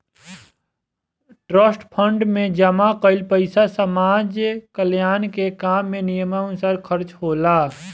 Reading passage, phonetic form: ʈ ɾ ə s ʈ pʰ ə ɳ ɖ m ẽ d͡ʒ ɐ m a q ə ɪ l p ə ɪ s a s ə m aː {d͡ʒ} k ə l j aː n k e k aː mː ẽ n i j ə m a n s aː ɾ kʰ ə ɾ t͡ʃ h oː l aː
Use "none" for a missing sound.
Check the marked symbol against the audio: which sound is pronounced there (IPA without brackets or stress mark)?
d͡ʒ